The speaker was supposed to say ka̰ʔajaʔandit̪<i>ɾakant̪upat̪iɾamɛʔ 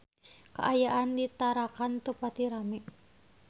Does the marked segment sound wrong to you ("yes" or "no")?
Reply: yes